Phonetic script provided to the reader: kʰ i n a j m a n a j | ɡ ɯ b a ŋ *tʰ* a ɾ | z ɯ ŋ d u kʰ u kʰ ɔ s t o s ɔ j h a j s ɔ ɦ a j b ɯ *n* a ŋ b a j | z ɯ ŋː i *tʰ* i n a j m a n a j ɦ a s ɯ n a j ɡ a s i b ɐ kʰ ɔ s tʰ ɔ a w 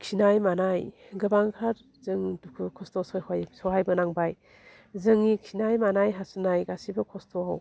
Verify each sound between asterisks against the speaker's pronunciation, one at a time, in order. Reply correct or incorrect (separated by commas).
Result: incorrect, correct, incorrect